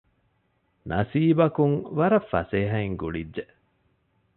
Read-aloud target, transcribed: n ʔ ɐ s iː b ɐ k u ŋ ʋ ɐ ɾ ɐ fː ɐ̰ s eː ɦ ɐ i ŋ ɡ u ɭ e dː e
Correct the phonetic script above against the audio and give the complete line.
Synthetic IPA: n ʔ ɐ s iː b ɐ k u ŋ ʋ ɐ ɾ ɐ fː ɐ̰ s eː ɦ ɐ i ŋ ɡ u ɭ i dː e